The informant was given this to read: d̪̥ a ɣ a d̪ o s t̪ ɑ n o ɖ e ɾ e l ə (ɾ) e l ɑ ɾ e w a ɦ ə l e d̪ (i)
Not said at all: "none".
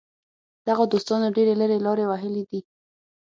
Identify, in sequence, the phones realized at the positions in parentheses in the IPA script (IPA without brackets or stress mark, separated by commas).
ɾ, i